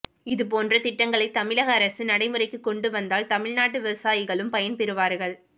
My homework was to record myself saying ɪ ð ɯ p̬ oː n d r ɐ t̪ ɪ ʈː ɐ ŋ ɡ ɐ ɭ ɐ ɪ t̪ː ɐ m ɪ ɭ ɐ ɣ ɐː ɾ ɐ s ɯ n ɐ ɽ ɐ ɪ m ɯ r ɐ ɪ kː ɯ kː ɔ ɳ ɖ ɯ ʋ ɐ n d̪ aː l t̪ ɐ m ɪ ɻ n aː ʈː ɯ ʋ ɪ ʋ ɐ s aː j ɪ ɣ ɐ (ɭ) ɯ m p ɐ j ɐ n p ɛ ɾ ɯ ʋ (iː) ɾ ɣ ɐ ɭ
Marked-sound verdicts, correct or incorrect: correct, incorrect

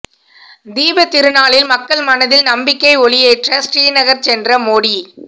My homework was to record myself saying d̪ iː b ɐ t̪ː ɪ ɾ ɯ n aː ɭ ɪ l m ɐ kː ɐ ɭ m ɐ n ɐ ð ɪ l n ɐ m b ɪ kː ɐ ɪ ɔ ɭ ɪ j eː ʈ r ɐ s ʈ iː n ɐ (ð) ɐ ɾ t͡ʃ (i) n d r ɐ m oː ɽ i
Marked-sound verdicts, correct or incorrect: incorrect, incorrect

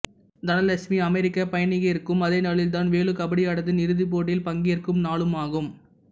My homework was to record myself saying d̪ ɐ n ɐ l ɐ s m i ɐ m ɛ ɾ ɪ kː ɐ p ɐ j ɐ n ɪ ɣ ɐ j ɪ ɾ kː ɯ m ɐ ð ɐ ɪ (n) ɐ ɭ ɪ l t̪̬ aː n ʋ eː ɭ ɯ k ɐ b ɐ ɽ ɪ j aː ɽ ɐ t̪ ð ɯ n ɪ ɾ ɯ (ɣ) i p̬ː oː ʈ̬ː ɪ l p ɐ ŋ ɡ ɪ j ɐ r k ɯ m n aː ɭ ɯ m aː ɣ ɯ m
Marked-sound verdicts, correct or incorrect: correct, incorrect

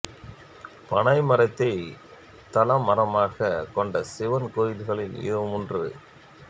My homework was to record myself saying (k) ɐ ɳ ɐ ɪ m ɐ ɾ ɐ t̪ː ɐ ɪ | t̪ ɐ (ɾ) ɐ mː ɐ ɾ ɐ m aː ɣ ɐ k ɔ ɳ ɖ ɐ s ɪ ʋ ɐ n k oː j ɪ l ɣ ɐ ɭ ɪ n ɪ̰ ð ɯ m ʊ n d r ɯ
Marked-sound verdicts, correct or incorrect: incorrect, incorrect

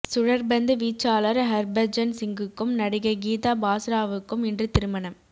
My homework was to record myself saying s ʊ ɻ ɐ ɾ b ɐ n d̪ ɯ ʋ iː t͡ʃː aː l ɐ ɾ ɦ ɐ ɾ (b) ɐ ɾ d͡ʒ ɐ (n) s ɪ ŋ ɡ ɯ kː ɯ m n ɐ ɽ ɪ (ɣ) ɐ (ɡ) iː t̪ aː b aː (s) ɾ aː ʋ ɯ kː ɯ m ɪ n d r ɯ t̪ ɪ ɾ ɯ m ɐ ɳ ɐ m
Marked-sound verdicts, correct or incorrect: correct, correct, correct, correct, correct

